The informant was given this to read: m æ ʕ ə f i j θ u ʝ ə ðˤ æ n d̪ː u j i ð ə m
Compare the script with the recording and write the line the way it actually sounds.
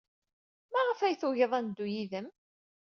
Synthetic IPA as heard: m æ ʁ ə f æ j θ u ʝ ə ðˤ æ n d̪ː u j i ð ə m

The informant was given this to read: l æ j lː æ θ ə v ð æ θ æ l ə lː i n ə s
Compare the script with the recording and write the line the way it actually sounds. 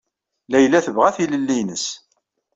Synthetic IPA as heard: l æ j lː æ θ ə v ʁ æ θ i l ə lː i n ə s

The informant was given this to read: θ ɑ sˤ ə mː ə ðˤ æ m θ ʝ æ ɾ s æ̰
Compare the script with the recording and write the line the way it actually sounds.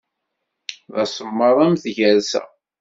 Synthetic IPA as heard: ð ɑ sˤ ə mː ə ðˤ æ m θ ʝ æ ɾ s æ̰

